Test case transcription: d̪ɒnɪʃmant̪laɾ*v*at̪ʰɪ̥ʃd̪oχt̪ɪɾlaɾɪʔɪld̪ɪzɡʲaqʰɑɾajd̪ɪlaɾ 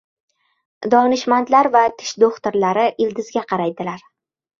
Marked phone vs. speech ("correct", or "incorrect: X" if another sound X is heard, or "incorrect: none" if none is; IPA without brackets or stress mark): correct